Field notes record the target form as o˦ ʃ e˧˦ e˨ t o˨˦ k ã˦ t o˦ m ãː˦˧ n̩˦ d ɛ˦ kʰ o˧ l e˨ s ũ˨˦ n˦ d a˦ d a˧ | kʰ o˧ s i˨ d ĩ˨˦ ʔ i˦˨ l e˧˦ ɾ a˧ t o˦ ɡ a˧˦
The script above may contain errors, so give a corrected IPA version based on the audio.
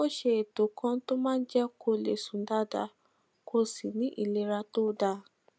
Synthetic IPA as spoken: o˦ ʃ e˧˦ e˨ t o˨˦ k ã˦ t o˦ m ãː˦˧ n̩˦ d͡ʒ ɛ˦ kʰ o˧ l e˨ s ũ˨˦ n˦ d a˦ d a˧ | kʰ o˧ s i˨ n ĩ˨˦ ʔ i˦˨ l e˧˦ ɾ a˧ t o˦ d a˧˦